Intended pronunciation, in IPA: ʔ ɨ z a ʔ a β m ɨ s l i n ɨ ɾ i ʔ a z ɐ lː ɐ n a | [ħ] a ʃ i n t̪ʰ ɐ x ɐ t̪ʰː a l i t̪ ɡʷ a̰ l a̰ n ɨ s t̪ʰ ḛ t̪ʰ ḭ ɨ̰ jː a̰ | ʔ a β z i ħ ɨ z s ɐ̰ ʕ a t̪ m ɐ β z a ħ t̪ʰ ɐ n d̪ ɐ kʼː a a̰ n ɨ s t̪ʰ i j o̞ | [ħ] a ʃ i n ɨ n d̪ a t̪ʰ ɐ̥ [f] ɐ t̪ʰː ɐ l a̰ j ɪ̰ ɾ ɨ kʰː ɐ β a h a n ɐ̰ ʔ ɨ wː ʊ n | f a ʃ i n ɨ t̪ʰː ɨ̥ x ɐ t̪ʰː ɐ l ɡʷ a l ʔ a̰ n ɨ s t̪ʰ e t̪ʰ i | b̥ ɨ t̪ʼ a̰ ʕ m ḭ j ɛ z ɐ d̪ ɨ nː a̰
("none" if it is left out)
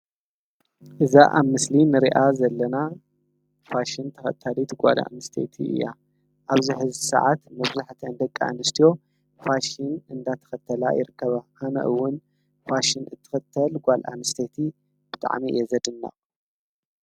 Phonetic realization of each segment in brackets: f, f, x

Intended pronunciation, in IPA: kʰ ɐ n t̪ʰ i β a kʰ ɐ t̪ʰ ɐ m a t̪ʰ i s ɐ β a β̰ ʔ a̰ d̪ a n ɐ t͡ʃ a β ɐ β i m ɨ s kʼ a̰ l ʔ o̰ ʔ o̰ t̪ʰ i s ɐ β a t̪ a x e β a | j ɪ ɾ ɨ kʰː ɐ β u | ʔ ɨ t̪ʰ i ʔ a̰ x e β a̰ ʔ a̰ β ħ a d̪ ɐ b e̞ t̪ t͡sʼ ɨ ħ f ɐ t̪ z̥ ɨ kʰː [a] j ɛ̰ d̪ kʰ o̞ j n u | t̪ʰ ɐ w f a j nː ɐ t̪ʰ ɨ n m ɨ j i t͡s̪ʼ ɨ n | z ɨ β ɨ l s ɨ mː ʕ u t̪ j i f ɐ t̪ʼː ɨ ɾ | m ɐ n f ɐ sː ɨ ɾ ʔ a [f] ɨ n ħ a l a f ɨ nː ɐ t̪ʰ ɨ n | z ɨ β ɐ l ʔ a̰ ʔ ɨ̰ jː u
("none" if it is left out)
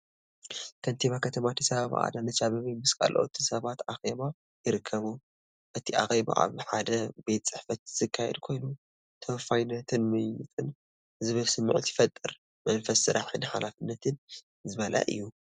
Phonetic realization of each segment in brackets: a, ħ

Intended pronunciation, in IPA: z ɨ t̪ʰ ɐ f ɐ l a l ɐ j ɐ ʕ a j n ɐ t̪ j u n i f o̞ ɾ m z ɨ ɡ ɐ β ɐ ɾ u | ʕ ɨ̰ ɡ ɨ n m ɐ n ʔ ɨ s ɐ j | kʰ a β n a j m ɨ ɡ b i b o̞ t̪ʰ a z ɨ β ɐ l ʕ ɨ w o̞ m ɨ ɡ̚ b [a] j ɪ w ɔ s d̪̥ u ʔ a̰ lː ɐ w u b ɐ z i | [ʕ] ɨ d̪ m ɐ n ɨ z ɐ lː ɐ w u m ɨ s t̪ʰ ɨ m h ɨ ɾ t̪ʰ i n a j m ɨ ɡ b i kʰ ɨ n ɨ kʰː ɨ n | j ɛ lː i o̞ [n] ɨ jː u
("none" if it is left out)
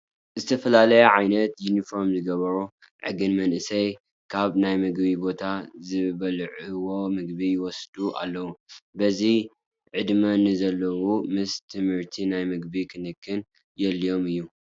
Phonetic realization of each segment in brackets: i, ʕ, m

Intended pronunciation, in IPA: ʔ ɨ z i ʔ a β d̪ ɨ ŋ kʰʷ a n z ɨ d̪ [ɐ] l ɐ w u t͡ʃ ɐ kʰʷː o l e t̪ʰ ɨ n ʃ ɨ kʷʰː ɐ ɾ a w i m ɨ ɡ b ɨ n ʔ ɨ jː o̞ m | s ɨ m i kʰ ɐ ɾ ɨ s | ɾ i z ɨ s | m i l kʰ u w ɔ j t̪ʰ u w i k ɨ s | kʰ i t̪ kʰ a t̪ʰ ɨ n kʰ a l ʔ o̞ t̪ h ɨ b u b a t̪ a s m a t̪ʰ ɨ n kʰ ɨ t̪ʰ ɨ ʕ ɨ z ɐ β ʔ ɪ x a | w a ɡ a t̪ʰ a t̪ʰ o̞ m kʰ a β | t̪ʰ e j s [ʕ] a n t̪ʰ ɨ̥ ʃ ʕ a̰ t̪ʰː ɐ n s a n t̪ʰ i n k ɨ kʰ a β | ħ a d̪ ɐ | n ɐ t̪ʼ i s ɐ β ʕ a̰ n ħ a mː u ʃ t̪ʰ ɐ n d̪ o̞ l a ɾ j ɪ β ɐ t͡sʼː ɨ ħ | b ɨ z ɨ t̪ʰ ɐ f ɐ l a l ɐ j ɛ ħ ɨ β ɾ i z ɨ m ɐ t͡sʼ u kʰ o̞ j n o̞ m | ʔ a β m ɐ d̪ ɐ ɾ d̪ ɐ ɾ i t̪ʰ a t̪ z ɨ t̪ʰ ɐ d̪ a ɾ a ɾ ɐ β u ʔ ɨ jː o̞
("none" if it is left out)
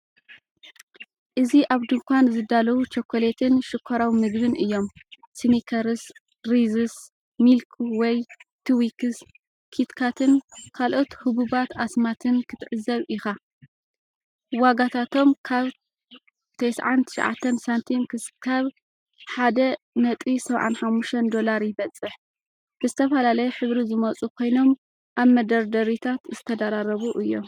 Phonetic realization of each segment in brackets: a, ʕ

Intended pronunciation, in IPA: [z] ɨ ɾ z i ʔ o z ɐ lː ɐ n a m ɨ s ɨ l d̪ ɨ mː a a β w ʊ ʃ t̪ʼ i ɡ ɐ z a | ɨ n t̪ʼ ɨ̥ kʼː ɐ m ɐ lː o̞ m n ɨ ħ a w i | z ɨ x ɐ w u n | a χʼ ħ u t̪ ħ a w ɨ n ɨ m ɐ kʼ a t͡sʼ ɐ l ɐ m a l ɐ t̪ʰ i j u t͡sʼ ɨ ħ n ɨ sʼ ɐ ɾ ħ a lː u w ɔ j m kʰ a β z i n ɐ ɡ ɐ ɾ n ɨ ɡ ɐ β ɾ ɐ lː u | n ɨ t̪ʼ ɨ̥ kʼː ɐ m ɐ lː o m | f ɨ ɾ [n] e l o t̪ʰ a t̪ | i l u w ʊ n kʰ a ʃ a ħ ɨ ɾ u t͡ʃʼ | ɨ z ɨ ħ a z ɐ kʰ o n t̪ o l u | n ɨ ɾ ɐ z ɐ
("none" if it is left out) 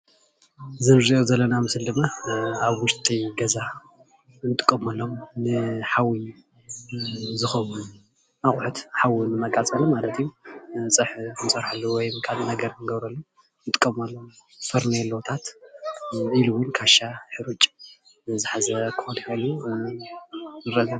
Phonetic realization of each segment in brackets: z, n

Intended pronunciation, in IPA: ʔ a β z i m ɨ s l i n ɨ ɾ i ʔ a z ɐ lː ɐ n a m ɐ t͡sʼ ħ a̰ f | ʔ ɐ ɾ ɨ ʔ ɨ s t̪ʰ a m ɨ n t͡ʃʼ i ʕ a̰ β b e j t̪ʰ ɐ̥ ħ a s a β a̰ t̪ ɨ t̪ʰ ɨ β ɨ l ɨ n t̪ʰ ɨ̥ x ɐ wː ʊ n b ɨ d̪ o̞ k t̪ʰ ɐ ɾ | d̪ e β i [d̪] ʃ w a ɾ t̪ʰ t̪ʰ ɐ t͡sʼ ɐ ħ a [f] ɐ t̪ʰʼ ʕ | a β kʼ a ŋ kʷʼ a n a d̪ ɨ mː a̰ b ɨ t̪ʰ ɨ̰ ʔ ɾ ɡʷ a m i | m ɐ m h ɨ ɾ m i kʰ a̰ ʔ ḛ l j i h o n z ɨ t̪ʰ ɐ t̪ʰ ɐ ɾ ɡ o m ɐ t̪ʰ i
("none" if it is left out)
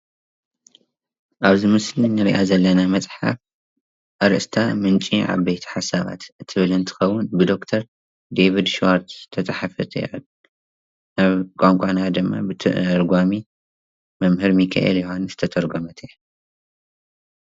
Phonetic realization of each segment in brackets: d̪, f

